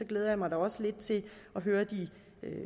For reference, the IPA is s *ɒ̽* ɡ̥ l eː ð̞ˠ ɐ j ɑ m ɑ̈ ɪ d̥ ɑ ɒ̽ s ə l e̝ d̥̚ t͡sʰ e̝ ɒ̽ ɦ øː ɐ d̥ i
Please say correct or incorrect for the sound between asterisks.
correct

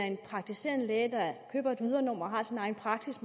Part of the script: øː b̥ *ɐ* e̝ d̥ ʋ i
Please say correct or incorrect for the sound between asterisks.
correct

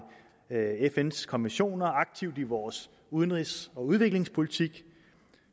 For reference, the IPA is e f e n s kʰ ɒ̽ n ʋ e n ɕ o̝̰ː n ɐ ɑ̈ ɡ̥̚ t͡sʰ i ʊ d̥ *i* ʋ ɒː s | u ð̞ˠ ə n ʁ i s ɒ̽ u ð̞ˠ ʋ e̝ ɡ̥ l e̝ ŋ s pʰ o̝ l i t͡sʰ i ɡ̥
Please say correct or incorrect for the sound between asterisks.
correct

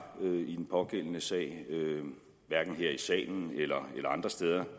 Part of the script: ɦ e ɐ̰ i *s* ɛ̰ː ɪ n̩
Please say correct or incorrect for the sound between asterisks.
correct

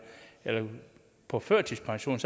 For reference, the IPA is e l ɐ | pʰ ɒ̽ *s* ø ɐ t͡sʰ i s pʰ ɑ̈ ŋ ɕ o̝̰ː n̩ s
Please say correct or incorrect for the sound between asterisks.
incorrect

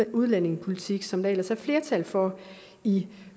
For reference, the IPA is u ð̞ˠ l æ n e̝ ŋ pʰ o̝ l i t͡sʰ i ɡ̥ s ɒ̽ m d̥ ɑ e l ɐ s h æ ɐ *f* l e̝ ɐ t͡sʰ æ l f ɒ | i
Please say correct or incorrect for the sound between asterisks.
correct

